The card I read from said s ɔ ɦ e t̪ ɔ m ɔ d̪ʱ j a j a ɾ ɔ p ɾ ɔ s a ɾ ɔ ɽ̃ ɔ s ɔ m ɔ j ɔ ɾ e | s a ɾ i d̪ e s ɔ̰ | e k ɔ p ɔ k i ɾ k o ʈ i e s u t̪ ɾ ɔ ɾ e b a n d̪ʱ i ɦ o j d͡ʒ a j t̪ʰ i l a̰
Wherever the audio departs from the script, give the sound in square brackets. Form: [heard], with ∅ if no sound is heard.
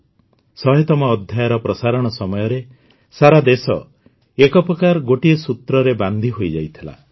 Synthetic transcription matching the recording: s ɔ ɦ e t̪ ɔ m [ɔː] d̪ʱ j a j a ɾ ɔ p ɾ ɔ s a ɾ ɔ ɽ̃ ɔ s ɔ m ɔ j ɔ ɾ e | s a ɾ [a] d̪ e s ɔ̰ | e k ɔ p ɔ k [a] ɾ [ɡ] o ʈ i e s u t̪ ɾ ɔ ɾ e b a n d̪ʱ i ɦ o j d͡ʒ a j t̪ʰ i l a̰